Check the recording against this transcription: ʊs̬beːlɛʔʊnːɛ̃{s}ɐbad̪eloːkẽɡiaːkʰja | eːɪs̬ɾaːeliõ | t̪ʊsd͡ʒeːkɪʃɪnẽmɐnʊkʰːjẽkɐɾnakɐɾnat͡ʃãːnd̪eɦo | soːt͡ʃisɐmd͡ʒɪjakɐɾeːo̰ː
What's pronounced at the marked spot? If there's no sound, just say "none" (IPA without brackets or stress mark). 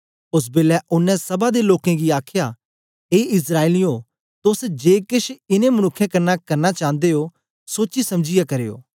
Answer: s